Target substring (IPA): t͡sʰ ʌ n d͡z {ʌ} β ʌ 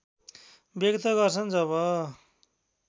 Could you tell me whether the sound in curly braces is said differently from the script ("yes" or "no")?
no